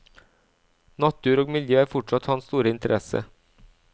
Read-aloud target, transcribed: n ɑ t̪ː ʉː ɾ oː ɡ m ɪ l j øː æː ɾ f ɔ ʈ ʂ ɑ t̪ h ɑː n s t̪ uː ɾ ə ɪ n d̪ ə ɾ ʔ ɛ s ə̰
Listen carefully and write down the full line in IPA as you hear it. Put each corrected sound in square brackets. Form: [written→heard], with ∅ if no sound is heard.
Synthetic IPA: n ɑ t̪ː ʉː ɾ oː ɡ m ɪ l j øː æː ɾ f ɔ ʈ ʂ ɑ t̪ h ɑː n s t̪ uː ɾ ə ɪ n [d̪→t̪] ə ɾ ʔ ɛ s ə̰